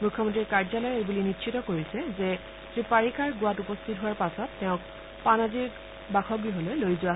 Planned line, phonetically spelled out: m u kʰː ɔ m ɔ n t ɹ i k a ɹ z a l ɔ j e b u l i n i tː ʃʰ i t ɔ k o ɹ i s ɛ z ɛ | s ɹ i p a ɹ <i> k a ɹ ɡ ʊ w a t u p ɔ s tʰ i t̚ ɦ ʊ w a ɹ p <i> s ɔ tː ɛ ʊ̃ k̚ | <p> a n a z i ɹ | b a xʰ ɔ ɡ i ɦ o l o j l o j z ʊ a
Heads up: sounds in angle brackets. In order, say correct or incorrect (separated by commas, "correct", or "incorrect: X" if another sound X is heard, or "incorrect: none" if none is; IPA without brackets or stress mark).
correct, incorrect: a, correct